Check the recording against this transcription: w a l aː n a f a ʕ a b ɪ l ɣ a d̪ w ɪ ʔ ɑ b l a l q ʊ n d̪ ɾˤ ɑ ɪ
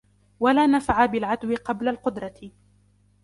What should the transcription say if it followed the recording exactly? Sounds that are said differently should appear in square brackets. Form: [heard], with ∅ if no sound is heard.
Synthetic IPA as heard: w a l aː n a f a ʕ a b ɪ l [ʕ] a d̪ w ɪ [q] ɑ b l a l q ʊ [∅] d̪ ɾˤ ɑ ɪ